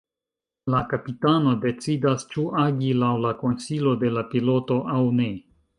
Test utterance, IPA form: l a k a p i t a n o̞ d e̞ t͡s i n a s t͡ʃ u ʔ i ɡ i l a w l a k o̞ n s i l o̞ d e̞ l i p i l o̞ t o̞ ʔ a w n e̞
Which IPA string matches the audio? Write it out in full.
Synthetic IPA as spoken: l a k a p i t a n o̞ d e̞ t͡s i d a s t͡ʃ u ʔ a ɡ i l a w l a k o̞ n s i l o̞ d e̞ l a p i l o̞ t o̞ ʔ a w n e̞